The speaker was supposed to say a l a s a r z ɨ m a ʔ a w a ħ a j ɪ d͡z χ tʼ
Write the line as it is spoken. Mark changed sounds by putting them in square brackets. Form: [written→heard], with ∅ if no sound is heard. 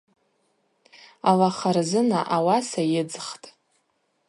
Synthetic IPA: a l a [s→χ] a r z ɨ [m→n] a ʔ a w a [ħ→s] a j ɪ d͡z χ tʼ